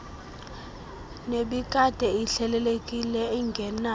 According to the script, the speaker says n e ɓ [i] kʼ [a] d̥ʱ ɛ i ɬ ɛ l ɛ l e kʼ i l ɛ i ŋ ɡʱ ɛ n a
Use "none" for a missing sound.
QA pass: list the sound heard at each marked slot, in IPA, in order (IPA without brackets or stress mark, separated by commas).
i, a